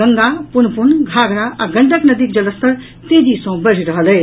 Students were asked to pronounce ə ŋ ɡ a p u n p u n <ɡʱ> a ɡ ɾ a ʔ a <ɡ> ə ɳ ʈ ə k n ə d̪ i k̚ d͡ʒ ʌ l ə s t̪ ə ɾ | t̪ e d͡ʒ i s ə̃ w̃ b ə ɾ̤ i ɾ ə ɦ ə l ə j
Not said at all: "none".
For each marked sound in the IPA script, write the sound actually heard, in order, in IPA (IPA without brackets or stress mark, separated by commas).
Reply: ɡʱ, ɡ